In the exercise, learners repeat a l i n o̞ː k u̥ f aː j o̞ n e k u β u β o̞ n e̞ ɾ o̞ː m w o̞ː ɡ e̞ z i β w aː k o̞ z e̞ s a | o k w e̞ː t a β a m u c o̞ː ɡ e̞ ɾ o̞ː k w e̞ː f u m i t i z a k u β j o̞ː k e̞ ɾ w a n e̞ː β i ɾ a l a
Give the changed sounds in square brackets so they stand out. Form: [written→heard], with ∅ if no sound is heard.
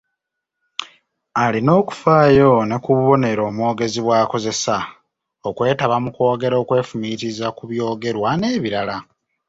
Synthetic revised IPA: a l i n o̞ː k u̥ f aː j o̞ n e k u β u β o̞ n e̞ ɾ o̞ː m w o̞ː ɡ e̞ z i β w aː k o̞ z e̞ s a | o k w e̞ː t a β a m u [c→k] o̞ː ɡ e̞ ɾ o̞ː k w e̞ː f u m i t i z a k u β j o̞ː [k→ɡ] e̞ ɾ w a n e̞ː β i ɾ a l a